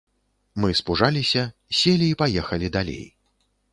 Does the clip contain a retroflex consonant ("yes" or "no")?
yes